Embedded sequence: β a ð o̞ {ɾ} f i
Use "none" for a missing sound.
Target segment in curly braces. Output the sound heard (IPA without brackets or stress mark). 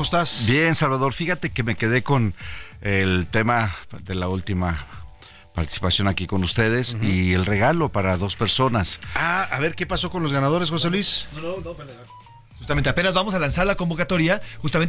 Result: ɾ